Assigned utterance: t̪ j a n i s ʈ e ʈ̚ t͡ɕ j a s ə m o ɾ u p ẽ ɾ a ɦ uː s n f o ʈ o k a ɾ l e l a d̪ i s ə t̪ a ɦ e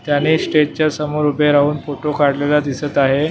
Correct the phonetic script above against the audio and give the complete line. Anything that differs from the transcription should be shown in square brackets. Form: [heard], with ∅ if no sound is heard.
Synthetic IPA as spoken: t̪ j a n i s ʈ e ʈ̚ t͡ɕ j a s ə m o ɾ u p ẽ ɾ a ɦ uː [∅] n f o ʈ o k a [ɽ] l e l a d̪ i s ə t̪ a ɦ e

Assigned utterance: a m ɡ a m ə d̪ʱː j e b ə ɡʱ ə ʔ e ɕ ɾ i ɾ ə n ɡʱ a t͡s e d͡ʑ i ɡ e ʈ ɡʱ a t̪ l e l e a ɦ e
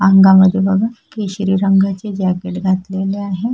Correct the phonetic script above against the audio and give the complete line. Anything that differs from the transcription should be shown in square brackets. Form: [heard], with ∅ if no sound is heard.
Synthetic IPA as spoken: a [ŋ] ɡ a m ə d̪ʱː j e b ə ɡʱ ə [k] e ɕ ɾ i ɾ ə [ŋ] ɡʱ a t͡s e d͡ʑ [a] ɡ e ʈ ɡʱ a t̪ l e l e a ɦ e

